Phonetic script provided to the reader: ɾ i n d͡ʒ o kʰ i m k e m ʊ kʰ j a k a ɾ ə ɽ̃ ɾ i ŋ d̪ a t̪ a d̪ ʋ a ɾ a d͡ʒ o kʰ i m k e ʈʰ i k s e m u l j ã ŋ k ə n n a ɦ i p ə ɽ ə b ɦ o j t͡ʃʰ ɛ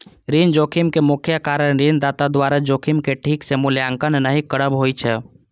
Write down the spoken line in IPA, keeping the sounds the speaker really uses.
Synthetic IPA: ɾ i n d͡ʒ o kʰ i m k e m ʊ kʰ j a k a ɾ ə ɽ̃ ɾ i n d̪ a t̪ a d̪ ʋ a ɾ a d͡ʒ o kʰ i m k e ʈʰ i k s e m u l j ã ŋ k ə n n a ɦ i k ə ɽ ə b ɦ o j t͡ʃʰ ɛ